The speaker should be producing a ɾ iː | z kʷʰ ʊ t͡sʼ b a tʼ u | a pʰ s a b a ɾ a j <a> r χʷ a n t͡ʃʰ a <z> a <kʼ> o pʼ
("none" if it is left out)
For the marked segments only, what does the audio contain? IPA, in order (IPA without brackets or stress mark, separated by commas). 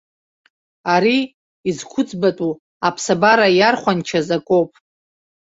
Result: a, z, kʼ